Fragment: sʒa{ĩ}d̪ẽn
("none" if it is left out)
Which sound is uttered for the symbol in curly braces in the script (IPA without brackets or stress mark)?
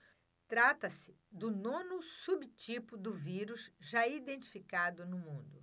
i